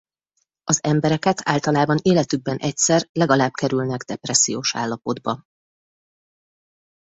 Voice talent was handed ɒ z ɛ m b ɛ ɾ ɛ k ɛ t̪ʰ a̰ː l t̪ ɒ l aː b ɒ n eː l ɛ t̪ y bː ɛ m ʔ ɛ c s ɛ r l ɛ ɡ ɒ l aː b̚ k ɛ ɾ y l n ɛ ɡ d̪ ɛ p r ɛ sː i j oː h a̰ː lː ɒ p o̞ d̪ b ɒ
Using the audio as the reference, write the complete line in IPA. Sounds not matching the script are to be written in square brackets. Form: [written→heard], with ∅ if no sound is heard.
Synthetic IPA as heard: ɒ z ɛ m b ɛ ɾ ɛ k ɛ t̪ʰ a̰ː l t̪ ɒ l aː b ɒ n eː l ɛ t̪ y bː ɛ [m→n] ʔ ɛ c s ɛ r l ɛ ɡ ɒ l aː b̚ k ɛ ɾ y l n ɛ ɡ d̪ ɛ p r ɛ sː i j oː [h→ʃ] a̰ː lː ɒ p o̞ d̪ b ɒ